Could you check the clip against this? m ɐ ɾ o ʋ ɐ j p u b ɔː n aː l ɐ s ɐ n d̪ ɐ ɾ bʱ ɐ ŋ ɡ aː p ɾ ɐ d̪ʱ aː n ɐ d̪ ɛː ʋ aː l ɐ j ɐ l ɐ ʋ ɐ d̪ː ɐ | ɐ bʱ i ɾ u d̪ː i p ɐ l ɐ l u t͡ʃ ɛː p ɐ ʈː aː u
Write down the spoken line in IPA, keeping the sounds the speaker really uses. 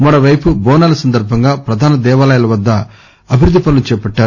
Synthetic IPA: m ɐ ɾ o ʋ ɐ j p u b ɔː n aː l ɐ s ɐ n d̪ ɐ ɾ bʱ ɐ ŋ ɡ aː p ɾ ɐ d̪ʱ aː n ɐ d̪ ɛː ʋ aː l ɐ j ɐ l ɐ ʋ ɐ d̪ː ɐ | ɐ bʱ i ɾ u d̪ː i p ɐ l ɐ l u t͡ʃ ɛː p ɐ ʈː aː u